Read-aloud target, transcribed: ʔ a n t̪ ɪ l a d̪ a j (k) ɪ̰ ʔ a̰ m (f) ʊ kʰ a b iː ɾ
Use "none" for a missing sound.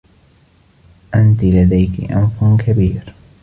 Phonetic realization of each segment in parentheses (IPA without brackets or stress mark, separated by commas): k, f